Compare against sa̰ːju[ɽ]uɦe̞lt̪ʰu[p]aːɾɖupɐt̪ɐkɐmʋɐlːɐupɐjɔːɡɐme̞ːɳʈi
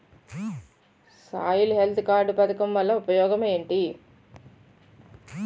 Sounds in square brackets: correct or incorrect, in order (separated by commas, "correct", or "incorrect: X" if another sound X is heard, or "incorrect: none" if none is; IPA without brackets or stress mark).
incorrect: l, incorrect: k